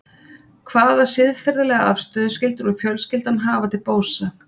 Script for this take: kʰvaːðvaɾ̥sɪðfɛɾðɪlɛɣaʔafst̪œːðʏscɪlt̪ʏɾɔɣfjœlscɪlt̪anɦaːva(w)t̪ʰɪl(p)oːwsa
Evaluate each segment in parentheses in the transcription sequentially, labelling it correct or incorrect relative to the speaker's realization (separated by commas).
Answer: incorrect, correct